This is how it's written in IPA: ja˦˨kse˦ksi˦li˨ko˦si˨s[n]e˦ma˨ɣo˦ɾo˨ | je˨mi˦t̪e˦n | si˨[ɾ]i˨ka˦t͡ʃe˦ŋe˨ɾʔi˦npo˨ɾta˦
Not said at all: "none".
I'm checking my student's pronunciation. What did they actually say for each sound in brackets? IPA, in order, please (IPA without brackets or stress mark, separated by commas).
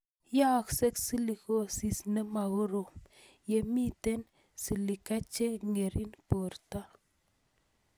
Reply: n, l